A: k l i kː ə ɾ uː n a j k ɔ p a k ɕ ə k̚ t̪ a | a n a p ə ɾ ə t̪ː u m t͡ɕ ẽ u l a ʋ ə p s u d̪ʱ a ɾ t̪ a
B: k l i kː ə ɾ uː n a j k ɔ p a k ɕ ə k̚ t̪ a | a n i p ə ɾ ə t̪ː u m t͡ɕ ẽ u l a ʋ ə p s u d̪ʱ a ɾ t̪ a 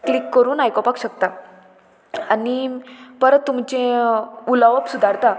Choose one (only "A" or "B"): B